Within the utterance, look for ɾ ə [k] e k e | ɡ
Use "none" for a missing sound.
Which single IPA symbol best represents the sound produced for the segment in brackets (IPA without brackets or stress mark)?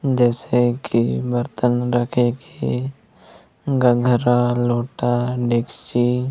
kʰ